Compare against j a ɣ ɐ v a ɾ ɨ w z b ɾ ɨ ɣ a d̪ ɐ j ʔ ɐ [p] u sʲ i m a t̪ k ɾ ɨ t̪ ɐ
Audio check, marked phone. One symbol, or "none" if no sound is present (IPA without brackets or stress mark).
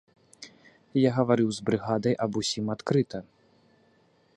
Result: b